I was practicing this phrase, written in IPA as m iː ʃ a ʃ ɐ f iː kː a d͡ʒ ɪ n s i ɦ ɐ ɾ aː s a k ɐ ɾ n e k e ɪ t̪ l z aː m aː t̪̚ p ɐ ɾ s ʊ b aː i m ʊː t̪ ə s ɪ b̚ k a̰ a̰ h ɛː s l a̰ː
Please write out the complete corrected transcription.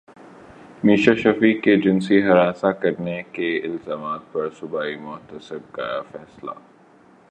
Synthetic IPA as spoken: m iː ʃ a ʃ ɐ f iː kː e d͡ʒ ɪ n s i ɦ ɐ ɾ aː s a k ɐ ɾ n e k e ɪ l z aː m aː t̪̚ p ɐ ɾ s ʊ b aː i m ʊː t̪ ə s ɪ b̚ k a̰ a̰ f ɛː s l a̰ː